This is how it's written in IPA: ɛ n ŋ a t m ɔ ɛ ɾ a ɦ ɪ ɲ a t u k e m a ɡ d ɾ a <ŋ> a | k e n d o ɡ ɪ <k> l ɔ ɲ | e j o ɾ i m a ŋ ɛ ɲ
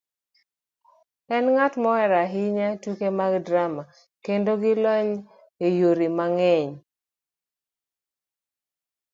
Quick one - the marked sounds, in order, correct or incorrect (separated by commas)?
incorrect, incorrect